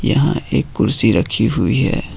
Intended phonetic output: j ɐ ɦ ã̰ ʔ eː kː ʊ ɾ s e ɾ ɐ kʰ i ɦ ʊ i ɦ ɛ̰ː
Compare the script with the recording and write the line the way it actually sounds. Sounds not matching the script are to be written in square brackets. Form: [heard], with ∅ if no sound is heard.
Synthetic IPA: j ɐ ɦ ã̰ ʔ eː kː ʊ ɾ s [i] ɾ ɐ kʰ i ɦ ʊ i ɦ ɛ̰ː